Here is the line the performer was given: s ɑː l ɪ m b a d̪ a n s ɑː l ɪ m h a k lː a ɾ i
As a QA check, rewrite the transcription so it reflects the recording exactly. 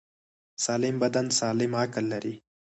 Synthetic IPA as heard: s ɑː l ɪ m b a d̪ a n s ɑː l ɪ m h a k lː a ɾ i